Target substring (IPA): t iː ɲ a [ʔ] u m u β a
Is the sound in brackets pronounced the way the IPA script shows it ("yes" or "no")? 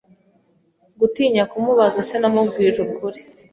no